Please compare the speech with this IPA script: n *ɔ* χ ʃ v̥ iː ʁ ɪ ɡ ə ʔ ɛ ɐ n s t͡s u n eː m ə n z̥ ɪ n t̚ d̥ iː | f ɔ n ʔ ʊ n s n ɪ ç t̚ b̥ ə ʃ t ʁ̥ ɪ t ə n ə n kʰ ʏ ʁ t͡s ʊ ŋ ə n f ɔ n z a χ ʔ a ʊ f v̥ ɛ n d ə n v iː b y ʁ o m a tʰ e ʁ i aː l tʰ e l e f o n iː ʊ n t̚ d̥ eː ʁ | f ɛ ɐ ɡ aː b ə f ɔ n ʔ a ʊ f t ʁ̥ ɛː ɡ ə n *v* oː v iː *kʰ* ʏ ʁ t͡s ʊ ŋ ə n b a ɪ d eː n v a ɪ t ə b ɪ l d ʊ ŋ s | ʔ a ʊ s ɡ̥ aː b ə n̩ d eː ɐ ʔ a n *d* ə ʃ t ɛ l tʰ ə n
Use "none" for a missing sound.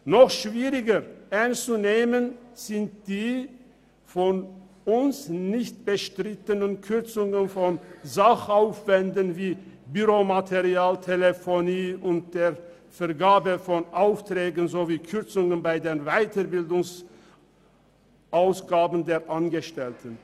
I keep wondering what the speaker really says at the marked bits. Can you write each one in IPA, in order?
ɔ, z, kʰ, ɡ

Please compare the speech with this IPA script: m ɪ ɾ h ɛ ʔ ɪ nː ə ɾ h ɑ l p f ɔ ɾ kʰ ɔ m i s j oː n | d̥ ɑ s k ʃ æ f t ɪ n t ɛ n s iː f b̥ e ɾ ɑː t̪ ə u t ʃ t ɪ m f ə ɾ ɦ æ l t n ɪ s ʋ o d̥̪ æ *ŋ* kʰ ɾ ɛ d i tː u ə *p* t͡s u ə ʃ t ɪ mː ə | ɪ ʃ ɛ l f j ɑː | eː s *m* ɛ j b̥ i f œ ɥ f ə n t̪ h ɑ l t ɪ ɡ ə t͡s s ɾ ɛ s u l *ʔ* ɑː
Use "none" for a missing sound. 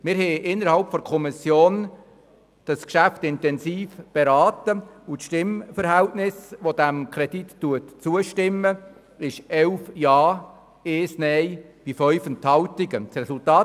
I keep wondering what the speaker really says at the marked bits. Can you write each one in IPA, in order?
m, t, n, t

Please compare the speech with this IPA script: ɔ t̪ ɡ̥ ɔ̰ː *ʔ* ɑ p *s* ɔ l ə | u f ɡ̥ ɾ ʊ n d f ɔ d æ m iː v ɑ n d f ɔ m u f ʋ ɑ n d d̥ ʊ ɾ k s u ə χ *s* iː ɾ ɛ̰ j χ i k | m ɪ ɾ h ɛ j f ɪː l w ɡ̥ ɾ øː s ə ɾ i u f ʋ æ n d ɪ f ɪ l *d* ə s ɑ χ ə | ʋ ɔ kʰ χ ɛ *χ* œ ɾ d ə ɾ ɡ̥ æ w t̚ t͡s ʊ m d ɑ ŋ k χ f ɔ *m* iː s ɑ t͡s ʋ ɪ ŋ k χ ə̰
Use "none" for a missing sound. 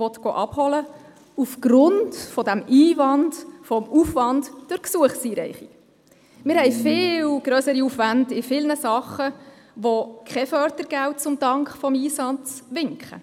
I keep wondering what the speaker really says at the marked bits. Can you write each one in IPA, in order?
ʔ, h, s, n, f, m

